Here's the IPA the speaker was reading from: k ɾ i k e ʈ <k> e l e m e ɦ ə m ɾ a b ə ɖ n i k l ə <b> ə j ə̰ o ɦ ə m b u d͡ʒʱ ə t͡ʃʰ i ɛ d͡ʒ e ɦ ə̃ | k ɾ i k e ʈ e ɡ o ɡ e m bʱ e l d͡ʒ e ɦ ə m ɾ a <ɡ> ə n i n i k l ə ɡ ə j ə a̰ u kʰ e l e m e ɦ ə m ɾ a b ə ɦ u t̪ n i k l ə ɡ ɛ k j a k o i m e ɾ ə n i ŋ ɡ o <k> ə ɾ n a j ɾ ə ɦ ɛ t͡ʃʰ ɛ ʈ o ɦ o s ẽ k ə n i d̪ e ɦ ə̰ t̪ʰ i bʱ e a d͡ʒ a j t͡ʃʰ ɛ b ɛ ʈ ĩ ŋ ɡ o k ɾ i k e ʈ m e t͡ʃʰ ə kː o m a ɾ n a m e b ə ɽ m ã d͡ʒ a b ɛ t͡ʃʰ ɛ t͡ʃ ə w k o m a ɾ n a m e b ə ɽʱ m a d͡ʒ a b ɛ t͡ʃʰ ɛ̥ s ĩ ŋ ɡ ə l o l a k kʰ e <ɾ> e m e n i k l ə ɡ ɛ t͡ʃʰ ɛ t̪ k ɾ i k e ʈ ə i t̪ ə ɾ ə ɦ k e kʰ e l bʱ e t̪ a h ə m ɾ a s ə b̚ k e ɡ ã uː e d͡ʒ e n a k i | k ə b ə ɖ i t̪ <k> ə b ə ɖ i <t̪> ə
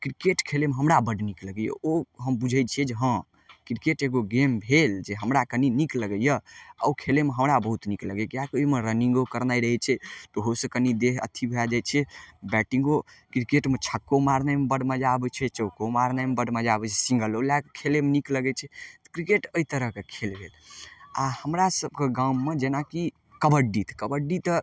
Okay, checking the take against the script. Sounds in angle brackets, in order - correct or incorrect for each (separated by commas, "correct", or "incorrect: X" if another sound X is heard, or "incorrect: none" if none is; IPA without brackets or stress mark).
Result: incorrect: kʰ, incorrect: ɡ, incorrect: k, correct, incorrect: l, correct, correct